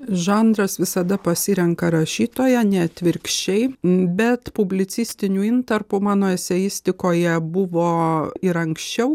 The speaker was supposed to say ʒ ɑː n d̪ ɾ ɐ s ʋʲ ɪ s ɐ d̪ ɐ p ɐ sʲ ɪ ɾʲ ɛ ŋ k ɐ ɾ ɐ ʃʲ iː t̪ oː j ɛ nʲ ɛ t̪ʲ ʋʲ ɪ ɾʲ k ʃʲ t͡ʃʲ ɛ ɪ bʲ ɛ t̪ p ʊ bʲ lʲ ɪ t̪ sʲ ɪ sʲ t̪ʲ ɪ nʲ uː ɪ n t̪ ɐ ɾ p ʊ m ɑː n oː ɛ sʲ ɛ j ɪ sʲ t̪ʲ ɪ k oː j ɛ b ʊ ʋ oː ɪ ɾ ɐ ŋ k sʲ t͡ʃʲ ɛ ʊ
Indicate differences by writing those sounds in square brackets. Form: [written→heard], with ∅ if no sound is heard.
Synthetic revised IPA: ʒ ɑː n d̪ ɾ ɐ s ʋʲ ɪ s ɐ d̪ ɐ p ɐ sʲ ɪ ɾʲ ɛ ŋ k ɐ ɾ ɐ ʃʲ iː t̪ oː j ɛ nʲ ɛ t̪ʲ ʋʲ ɪ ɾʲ k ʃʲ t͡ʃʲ ɛ ɪ bʲ ɛ t̪ p ʊ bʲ lʲ ɪ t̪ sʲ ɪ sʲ t̪ʲ ɪ nʲ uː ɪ n t̪ ɐ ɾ p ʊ m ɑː n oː ɛ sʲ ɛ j ɪ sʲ t̪ʲ ɪ k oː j ɛ b ʊ ʋ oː ɪ ɾ ɐ ŋ k sʲ t͡ʃʲ ɛ ʊ